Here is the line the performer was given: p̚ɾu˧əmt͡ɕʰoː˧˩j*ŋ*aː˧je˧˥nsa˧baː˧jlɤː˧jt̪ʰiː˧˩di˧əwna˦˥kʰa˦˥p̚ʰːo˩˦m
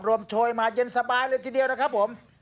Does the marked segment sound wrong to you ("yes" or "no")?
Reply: yes